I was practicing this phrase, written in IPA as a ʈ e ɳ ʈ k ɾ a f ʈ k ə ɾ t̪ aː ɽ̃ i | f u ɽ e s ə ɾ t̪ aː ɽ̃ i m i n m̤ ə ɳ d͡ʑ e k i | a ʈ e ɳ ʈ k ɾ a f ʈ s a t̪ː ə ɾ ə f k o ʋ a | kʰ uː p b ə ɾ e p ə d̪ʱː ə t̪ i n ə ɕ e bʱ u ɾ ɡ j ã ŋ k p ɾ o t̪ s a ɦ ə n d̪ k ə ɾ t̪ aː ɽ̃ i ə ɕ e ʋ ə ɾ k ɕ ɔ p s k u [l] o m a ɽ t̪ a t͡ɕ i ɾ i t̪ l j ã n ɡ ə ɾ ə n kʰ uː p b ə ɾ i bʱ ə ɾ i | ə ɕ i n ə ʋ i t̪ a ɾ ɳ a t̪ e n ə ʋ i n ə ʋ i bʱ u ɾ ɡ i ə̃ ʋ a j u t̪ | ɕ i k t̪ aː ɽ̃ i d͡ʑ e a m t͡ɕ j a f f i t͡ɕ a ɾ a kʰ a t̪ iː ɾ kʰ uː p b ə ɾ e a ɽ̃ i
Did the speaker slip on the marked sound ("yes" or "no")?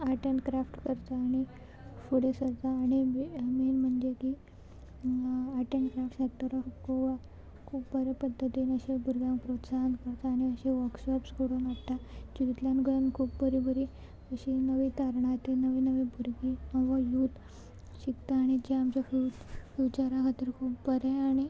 yes